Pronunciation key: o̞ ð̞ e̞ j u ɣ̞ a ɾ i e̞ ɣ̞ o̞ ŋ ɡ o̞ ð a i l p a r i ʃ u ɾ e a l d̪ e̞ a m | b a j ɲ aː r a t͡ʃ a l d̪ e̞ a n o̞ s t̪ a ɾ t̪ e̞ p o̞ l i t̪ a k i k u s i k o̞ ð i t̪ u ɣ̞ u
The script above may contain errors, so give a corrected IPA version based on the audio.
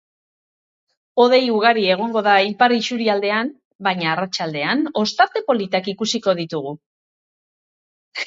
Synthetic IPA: o̞ ð̞ e̞ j u ɣ̞ a ɾ i e̞ ɣ̞ o̞ ŋ ɡ o̞ ð a i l p a r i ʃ u ɾ i a l d̪ e̞ a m | b a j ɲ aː r a t͡ʃ a l d̪ e̞ a n o̞ s t̪ a ɾ t̪ e̞ p o̞ l i t̪ a k i k u s i k o̞ ð i t̪ u ɣ̞ u